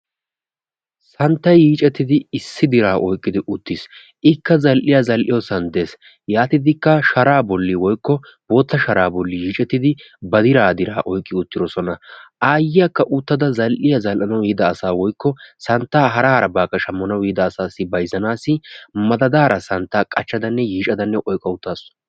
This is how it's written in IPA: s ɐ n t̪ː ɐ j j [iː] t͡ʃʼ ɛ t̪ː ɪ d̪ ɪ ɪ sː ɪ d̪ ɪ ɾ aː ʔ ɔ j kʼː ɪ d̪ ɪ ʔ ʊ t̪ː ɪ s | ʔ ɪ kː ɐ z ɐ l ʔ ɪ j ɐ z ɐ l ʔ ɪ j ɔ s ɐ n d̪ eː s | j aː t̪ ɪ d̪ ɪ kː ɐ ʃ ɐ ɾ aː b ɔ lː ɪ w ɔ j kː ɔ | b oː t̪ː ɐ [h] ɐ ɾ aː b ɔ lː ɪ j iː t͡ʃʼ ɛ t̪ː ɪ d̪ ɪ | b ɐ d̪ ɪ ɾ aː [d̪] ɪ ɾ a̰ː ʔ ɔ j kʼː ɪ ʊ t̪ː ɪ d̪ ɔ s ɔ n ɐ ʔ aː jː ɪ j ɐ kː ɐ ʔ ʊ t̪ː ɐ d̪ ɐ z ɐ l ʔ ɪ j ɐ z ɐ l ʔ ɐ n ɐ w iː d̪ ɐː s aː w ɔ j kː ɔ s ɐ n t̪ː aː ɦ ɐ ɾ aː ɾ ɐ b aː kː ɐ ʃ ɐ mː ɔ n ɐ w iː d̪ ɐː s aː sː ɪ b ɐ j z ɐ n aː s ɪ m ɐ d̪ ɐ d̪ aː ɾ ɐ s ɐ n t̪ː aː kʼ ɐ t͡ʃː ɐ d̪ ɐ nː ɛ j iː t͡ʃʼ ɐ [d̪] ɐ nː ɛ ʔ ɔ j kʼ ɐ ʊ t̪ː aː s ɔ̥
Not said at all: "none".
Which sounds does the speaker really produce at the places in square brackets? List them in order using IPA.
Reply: iː, ʃ, d̪, d̪

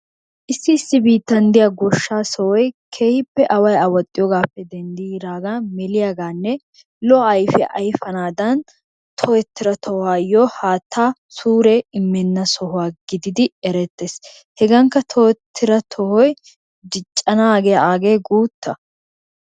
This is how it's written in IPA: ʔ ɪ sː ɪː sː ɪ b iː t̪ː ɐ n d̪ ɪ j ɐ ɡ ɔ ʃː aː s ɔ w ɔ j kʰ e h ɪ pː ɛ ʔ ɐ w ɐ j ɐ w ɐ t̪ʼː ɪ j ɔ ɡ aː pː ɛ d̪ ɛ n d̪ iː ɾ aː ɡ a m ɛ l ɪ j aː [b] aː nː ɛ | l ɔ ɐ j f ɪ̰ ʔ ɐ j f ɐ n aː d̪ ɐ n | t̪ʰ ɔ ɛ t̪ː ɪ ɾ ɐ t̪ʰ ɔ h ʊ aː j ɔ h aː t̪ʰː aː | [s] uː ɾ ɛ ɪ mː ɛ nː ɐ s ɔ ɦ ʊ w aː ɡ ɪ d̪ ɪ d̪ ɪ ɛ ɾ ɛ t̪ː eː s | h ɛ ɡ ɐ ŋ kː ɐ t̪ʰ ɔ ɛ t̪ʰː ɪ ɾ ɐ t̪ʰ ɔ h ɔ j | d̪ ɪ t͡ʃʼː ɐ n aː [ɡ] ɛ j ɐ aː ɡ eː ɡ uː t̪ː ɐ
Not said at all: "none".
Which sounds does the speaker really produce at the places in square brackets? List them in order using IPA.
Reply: ɡ, s, ɡ

